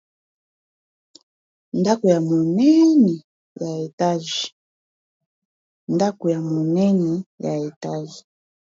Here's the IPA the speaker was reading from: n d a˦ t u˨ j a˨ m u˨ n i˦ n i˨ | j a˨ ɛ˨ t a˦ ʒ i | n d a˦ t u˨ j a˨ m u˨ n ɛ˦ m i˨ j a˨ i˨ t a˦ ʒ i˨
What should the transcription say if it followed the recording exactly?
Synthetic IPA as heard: n d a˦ k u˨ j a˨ m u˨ n ɛ˦ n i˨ | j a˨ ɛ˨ t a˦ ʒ i | n d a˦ k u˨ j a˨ m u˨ n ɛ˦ n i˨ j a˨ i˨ t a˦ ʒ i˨

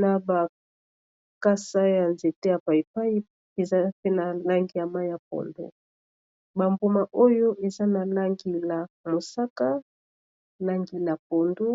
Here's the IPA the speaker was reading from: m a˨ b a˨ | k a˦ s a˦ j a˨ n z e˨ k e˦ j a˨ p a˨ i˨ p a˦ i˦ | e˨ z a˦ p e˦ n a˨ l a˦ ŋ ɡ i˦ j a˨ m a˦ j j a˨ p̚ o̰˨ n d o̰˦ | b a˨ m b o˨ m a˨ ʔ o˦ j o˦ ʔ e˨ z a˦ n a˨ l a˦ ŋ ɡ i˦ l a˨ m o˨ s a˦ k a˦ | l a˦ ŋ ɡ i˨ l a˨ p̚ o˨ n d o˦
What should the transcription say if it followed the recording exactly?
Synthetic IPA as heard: n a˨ b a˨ | k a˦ s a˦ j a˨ n z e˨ t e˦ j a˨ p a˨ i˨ p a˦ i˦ | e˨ z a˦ p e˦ n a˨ l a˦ ŋ ɡ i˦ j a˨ m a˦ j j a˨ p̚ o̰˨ n d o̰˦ | b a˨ m b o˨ m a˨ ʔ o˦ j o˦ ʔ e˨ z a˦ n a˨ l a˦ ŋ ɡ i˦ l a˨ m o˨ s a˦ k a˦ | l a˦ ŋ ɡ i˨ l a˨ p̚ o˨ n d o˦

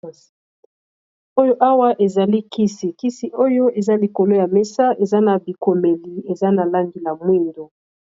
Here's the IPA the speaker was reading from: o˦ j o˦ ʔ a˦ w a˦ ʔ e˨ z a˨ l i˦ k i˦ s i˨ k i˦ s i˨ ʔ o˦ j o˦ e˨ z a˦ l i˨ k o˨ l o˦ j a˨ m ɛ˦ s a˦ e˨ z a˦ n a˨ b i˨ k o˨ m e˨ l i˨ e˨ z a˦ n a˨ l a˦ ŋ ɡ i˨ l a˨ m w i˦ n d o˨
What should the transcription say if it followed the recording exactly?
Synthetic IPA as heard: o˦ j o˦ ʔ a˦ w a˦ ʔ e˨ z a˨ l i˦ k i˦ s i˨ k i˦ s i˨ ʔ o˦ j o˦ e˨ z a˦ l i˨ k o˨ l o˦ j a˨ m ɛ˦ s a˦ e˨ z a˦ n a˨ b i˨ k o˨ m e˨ l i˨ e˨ z a˦ n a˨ l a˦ ŋ ɡ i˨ l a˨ m w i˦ n d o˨

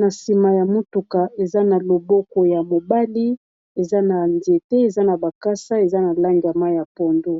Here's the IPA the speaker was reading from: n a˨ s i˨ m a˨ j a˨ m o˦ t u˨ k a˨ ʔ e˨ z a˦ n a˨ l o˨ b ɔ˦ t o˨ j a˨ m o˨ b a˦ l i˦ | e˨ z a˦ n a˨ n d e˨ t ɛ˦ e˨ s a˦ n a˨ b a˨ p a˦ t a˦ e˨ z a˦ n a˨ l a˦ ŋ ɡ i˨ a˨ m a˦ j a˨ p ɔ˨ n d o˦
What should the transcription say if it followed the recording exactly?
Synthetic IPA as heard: n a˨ s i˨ m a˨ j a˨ m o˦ t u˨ k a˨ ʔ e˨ z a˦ n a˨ l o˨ b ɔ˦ k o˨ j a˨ m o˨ b a˦ l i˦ | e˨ z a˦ n a˨ n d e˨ t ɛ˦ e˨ z a˦ n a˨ b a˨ k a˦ s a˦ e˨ z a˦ n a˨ l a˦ ŋ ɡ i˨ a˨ m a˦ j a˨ p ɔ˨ n d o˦

